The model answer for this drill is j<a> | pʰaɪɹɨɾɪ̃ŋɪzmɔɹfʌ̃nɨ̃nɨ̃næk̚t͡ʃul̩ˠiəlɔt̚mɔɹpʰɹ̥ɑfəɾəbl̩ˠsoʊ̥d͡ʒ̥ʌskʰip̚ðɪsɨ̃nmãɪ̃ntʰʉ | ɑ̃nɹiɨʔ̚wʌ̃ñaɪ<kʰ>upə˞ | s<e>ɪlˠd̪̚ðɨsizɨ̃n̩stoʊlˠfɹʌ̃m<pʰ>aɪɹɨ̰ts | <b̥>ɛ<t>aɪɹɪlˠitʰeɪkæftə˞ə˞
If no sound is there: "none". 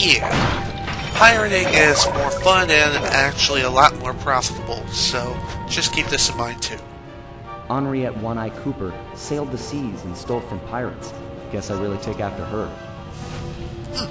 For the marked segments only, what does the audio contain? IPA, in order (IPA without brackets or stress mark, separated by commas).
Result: æ, kʰ, e, pʰ, ɡ̥, s